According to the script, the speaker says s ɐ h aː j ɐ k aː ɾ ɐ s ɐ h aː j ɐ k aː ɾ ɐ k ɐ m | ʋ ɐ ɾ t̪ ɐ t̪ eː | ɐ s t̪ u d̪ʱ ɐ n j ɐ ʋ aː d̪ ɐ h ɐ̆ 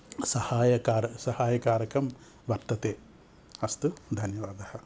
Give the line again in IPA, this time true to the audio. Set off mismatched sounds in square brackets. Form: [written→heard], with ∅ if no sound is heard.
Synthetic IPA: s ɐ h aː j ɐ k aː ɾ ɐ s ɐ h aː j ɐ k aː ɾ ɐ k ɐ m | ʋ ɐ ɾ t̪ ɐ t̪ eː | ɐ s t̪ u d̪ʱ ɐ n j ɐ ʋ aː d̪ ɐ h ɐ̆

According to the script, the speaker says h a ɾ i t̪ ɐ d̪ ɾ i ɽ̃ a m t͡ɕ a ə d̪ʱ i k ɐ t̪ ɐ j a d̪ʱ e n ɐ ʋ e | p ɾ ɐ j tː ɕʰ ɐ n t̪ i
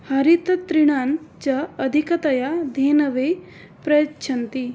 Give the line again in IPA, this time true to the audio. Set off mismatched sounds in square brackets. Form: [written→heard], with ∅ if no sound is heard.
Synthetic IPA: h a ɾ i t̪ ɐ [d̪→t̪] ɾ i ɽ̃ a [m→n] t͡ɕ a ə d̪ʱ i k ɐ t̪ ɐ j a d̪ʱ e n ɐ ʋ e | p ɾ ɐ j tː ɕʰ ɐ n t̪ i

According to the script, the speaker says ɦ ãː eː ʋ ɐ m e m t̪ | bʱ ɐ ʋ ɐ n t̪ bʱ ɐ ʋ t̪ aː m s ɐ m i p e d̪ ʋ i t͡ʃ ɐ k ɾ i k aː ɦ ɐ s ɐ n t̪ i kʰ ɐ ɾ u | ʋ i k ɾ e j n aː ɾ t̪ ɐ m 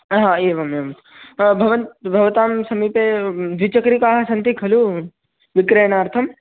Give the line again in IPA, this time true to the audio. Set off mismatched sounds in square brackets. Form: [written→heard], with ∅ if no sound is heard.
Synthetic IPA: ɦ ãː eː ʋ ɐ m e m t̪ | bʱ ɐ ʋ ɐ n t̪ bʱ ɐ ʋ t̪ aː m s ɐ m i p e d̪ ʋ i t͡ʃ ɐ k ɾ i k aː ɦ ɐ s ɐ n t̪ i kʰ ɐ [ɾ→l] u | ʋ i k ɾ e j n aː ɾ [t̪→t̪ʰ] ɐ m

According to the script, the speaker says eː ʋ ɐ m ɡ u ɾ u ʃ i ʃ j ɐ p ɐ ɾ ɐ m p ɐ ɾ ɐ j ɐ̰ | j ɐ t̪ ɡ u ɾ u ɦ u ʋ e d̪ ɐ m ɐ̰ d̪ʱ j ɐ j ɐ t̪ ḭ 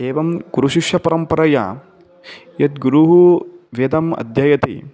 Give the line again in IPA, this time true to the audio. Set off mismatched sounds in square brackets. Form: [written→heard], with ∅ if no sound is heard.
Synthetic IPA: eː ʋ ɐ m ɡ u ɾ u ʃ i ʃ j ɐ p ɐ ɾ ɐ m p ɐ ɾ ɐ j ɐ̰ | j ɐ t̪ ɡ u ɾ u ɦ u ʋ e d̪ ɐ m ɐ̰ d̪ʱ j ɐ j ɐ t̪ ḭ

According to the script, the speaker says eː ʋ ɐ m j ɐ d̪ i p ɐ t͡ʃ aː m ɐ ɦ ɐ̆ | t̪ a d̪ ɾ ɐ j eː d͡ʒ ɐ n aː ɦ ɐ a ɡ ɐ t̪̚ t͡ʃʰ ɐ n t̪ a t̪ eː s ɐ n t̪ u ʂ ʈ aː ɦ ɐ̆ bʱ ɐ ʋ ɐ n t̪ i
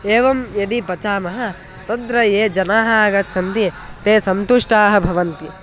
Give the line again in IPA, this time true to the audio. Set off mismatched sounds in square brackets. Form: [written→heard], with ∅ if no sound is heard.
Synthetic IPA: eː ʋ ɐ m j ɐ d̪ i p ɐ t͡ʃ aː m ɐ ɦ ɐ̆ | t̪ [a→ɐ] d̪ ɾ ɐ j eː d͡ʒ ɐ n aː ɦ ɐ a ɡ ɐ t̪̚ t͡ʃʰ ɐ n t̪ [a→i] t̪ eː s ɐ n t̪ u ʂ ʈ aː ɦ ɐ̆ bʱ ɐ ʋ ɐ n t̪ i

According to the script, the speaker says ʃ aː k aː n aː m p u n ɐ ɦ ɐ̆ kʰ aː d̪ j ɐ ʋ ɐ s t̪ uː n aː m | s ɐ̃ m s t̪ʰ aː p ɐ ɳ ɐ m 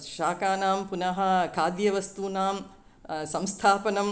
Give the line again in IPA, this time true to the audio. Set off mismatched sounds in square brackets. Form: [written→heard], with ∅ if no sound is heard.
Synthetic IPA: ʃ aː k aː n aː m p u n ɐ ɦ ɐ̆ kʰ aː d̪ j ɐ ʋ ɐ s t̪ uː n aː m | s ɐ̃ m s t̪ʰ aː p ɐ [ɳ→n] ɐ m

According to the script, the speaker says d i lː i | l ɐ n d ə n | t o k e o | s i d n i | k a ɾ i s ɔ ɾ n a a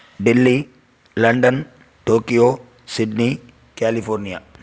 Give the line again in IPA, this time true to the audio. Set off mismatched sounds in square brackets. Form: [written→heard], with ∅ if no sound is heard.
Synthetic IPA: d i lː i | l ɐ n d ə n | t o k [e→i] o | s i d n i | k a [ɾ→l] i [s→f] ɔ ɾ n [a→i] a

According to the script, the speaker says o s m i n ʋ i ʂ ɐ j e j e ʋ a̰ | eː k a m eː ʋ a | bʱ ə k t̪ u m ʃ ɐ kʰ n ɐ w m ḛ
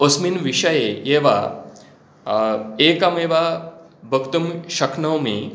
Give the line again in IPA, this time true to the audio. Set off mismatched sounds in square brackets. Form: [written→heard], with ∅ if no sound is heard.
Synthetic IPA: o s m i n ʋ i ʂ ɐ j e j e ʋ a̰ | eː k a m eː ʋ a | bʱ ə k t̪ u m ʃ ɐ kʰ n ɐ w m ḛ

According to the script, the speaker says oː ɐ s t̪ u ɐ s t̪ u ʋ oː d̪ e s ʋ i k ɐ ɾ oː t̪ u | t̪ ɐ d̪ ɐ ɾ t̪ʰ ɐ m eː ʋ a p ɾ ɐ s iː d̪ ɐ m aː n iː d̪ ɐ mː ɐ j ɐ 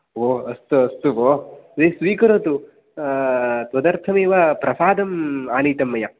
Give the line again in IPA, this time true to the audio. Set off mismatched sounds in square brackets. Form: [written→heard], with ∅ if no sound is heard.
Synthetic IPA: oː ɐ s t̪ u ɐ s t̪ u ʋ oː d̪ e s ʋ [i→iː] k ɐ ɾ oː t̪ u | t̪ ɐ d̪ ɐ ɾ t̪ʰ ɐ m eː ʋ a p ɾ ɐ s [iː→aː] d̪ ɐ m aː n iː [d̪→t̪] ɐ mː ɐ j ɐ

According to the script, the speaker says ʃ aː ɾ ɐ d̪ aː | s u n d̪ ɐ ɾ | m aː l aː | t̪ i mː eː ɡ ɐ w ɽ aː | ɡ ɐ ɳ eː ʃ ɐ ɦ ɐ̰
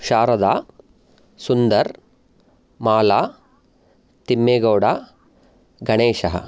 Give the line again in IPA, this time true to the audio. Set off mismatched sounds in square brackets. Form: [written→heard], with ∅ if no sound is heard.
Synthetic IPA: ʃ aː ɾ ɐ d̪ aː | s u n d̪ ɐ ɾ | m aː l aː | t̪ i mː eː ɡ ɐ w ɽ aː | ɡ ɐ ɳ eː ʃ ɐ ɦ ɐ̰

